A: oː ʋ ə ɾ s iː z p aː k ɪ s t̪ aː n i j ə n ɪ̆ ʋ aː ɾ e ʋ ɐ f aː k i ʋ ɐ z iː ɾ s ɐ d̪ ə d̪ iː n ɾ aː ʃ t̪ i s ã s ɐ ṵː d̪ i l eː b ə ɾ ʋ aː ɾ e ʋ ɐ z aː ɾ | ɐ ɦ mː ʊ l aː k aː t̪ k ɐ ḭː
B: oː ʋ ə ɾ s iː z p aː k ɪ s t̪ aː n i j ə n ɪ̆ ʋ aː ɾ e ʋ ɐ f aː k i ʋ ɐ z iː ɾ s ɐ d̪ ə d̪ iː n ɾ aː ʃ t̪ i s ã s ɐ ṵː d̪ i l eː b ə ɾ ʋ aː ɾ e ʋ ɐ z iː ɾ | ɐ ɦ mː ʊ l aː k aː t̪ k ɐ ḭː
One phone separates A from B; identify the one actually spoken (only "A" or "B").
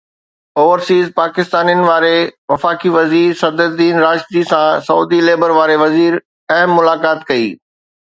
B